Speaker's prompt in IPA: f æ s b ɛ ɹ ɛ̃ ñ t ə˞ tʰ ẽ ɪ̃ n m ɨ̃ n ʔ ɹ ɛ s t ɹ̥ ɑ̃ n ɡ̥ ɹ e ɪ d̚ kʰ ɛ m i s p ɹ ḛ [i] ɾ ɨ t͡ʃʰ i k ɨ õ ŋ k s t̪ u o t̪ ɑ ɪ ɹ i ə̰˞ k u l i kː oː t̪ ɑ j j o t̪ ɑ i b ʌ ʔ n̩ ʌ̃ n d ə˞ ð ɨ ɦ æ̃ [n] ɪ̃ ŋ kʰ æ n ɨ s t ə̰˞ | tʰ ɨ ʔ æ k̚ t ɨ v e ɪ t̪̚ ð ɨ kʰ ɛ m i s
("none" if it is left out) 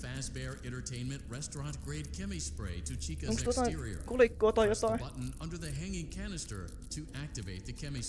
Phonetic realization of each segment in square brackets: ɪ, ŋ

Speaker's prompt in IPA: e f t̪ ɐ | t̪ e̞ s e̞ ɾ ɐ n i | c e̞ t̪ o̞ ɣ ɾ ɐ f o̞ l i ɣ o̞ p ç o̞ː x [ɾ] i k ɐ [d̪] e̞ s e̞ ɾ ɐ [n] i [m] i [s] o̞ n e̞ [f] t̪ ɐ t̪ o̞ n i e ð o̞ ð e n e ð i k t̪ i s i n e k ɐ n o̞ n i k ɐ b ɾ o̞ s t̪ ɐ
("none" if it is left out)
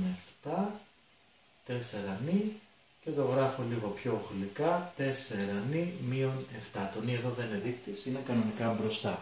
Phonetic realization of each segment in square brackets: l, t̪, n, m, none, f

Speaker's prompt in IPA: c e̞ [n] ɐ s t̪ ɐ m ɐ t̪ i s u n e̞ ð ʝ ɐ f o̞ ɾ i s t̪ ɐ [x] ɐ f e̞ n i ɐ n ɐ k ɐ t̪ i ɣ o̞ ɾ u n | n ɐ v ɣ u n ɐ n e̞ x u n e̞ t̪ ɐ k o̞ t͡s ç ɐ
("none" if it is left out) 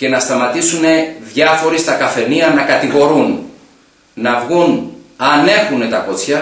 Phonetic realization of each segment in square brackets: n, k

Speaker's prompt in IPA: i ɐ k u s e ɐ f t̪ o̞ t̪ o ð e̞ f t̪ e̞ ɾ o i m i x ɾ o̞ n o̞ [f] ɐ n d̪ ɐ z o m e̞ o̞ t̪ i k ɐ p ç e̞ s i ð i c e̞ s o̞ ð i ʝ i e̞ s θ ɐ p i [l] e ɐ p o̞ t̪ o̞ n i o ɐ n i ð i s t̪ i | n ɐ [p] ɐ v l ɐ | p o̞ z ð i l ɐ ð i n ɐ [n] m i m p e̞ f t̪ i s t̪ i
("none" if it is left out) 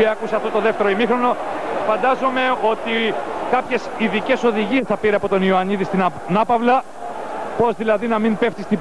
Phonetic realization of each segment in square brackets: f, ɾ, p, none

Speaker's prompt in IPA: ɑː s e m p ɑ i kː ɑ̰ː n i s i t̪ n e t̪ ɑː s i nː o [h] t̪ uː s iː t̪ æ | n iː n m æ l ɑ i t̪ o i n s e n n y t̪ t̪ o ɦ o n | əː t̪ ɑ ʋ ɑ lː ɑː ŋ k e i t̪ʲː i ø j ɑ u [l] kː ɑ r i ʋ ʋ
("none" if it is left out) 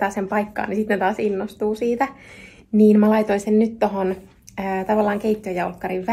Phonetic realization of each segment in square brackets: s, l

